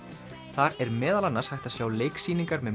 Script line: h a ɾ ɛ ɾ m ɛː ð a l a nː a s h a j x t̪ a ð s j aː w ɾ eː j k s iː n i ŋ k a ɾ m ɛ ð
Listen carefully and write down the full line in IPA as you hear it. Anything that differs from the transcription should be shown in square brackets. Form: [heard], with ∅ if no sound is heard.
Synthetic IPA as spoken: [θ] a ɾ ɛ ɾ m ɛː ð a l a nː a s h a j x t̪ a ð s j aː w [l] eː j k s iː n i ŋ k a ɾ m ɛ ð